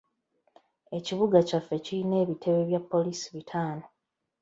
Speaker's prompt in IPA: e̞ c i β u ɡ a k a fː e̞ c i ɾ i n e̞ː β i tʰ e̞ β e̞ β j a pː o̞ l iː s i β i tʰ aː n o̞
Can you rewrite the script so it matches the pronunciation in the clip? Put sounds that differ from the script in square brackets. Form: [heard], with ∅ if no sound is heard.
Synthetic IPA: e̞ c i β u ɡ a [c] a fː e̞ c i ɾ i n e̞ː β i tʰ e̞ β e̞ β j a pː o̞ l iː s i β i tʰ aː n o̞

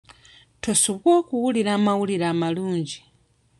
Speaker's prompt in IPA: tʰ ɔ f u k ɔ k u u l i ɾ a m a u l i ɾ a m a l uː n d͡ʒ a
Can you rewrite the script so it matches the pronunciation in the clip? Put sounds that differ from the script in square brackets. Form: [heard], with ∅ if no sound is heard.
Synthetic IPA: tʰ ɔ [s] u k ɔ k u u l i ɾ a m a u l i ɾ a m a l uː n d͡ʒ [i]

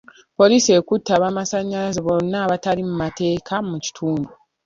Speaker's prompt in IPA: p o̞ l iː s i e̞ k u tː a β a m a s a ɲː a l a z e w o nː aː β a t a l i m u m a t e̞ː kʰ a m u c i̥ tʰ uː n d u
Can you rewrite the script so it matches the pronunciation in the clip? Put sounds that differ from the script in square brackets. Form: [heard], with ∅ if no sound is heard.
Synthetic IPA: p o̞ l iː s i e̞ k u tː a β a m a s a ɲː a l a z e [β] o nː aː β a t a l i m u m a t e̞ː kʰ a m u c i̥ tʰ uː n d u

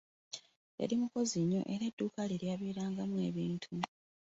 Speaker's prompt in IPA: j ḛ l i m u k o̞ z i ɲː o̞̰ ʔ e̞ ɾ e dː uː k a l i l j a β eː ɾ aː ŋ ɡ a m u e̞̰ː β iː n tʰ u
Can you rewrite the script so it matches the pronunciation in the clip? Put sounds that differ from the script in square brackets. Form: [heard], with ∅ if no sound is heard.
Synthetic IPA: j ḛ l i m u k o̞ z i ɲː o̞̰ ʔ e̞ ɾ e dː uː k a l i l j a β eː ɾ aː ŋ ɡ a m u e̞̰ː β iː n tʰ u

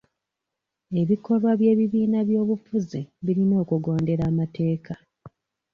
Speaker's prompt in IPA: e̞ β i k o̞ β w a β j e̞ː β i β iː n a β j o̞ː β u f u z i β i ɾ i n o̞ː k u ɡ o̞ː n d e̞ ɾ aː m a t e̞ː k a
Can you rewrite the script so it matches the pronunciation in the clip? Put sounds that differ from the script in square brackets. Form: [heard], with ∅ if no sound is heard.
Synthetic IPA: e̞ β i k o̞ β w a β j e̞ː β i β iː n a β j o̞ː β u f u z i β i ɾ i n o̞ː k u ɡ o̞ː n d e̞ ɾ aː m a t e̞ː k a

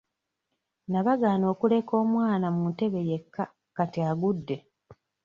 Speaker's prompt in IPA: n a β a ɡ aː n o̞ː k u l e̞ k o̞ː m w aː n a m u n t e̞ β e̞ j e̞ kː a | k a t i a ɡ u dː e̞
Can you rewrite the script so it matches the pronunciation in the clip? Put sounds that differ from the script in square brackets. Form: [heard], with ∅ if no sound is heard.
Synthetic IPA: n a β a ɡ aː n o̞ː k u l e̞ k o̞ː m w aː n a m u n t e̞ β e̞ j e̞ kː a | k a t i a ɡ u dː e̞

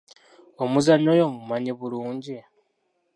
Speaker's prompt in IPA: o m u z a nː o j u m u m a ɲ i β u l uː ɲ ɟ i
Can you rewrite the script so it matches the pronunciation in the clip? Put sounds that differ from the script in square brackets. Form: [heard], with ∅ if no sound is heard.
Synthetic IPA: o m u z a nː o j [o] m u m a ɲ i β u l uː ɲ ɟ i

